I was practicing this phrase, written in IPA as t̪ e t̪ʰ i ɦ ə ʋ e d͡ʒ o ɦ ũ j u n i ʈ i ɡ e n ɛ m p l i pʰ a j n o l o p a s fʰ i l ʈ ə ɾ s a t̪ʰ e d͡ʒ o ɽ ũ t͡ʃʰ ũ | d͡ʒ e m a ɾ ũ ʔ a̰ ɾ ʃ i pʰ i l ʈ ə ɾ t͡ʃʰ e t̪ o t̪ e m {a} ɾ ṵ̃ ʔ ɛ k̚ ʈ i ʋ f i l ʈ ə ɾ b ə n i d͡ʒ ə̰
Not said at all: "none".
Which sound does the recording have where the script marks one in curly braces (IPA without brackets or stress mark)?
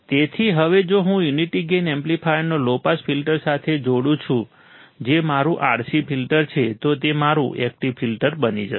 a